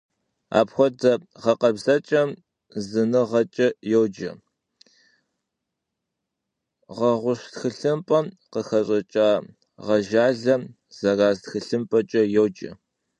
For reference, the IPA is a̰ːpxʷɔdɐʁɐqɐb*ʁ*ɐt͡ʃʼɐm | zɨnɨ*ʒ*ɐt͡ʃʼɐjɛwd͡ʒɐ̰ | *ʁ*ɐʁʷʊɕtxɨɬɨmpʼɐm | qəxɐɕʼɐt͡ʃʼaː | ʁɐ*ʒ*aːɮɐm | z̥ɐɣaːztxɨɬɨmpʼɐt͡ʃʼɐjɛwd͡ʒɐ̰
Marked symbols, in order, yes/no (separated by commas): no, no, yes, yes